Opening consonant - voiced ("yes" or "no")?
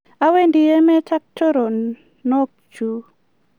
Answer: yes